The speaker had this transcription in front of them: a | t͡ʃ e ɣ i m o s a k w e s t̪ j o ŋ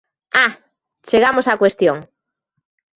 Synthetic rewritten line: a | t͡ʃ e ɣ a m o s a k w e s t̪ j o ŋ